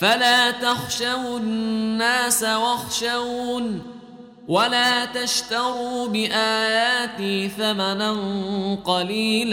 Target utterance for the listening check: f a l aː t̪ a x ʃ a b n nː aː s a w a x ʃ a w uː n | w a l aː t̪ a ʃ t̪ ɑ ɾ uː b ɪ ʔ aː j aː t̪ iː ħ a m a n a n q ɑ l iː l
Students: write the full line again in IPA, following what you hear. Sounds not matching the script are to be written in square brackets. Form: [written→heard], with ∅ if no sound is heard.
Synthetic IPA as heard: f a l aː t̪ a x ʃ a [b→w] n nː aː s a w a x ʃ a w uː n | w a l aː t̪ a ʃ t̪ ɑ ɾ uː b ɪ ʔ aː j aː t̪ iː [ħ→θ] a m a n a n q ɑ l iː l